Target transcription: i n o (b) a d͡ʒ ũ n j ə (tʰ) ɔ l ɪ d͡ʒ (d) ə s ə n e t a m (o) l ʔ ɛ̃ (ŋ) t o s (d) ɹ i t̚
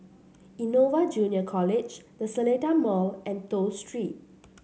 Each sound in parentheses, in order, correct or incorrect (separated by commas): incorrect, incorrect, correct, incorrect, incorrect, incorrect